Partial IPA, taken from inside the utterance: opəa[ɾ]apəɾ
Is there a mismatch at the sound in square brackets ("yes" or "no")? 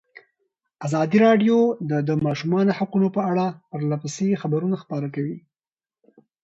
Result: yes